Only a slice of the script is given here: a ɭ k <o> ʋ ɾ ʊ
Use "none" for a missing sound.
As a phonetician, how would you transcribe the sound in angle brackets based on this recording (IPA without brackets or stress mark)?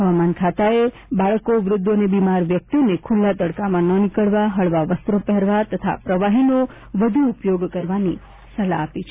o